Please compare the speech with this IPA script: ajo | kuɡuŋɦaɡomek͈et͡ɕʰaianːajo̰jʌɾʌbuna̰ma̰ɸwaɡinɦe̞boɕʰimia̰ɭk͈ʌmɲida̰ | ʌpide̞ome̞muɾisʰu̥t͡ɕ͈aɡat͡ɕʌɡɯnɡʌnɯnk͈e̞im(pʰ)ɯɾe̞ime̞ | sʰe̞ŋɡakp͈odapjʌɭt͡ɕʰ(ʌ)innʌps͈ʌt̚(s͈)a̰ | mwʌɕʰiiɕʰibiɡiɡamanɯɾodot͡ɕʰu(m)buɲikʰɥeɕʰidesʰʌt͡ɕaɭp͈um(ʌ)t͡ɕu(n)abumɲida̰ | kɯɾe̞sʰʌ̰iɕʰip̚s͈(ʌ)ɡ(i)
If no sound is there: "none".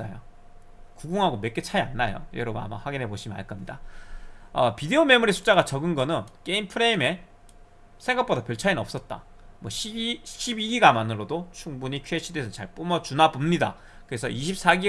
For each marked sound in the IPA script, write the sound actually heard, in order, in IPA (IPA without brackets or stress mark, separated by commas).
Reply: pʰ, a, t͈, ŋ, ʌ, n, a, i